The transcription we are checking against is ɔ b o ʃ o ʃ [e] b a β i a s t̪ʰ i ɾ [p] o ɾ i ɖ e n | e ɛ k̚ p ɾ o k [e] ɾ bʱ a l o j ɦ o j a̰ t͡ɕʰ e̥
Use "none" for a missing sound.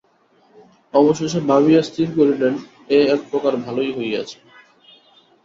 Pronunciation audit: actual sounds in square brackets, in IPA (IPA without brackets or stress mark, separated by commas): e, k, a